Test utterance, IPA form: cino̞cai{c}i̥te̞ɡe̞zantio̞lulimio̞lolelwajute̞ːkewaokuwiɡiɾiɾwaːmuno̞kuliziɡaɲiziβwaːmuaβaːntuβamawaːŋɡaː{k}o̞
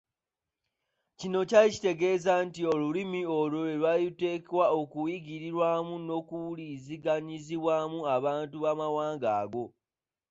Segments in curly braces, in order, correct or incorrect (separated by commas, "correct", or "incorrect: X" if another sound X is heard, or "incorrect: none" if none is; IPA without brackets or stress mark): correct, incorrect: ɡ